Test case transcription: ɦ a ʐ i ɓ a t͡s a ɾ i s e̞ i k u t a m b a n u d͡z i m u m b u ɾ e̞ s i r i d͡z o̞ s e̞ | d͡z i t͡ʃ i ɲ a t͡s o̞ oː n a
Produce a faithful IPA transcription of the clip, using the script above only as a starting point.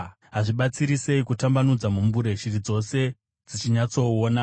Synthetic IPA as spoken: ɦ a ʐ i ɓ a t͡s i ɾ i s e̞ i k u t a m b a n u d͡z a m u m b u ɾ e̞ ʃ i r i d͡z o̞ s e̞ | d͡z i t͡ʃ i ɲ a t͡s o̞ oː n a